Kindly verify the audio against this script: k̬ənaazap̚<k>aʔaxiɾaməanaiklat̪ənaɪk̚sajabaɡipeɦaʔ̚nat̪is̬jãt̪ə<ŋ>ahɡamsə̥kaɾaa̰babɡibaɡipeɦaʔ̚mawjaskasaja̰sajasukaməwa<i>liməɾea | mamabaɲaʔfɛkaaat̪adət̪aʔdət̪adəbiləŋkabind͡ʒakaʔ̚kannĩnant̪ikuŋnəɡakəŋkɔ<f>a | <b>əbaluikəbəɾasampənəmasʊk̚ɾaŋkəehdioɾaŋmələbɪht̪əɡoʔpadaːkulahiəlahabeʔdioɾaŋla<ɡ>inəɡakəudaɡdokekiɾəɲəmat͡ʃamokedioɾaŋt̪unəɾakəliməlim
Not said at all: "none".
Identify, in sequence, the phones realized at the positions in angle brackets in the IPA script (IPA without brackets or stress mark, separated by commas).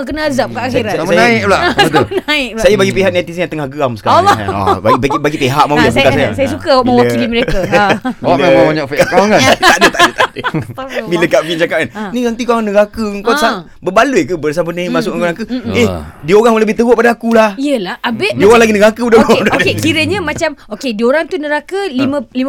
k, ŋ, i, s, b, ɡ